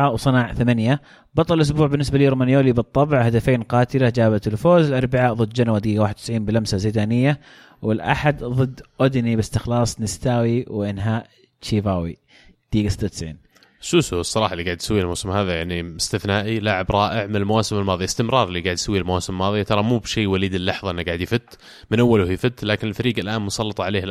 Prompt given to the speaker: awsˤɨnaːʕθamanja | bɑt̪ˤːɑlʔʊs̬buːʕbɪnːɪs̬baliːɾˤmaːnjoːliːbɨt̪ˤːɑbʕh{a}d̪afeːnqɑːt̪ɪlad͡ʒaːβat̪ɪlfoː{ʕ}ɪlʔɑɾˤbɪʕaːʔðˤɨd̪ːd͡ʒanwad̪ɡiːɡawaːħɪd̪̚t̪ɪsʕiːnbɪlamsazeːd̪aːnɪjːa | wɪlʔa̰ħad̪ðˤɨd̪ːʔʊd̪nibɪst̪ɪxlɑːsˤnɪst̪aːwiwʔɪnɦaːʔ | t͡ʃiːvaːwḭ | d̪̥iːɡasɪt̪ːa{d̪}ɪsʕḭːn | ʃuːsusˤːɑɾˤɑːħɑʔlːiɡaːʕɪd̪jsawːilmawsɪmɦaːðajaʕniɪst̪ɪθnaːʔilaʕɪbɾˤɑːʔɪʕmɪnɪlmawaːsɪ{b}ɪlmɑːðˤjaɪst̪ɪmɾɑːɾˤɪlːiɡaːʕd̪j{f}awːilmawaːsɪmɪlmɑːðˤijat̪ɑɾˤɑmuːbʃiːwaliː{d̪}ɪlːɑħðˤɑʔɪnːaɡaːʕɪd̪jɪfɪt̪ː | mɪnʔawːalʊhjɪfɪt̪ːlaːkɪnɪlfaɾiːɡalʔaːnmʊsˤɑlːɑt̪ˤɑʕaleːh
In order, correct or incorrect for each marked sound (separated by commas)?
correct, incorrect, incorrect, incorrect, incorrect, correct